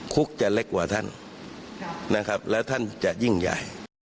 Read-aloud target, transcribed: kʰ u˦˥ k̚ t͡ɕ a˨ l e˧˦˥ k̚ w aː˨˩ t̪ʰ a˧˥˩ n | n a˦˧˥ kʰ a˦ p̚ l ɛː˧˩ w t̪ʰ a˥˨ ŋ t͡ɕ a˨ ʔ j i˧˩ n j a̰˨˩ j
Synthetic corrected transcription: kʰ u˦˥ k̚ t͡ɕ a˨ l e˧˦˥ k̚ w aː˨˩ t̪ʰ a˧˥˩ n | n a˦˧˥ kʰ a˦ p̚ l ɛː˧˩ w t̪ʰ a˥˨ n t͡ɕ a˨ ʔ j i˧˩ ŋ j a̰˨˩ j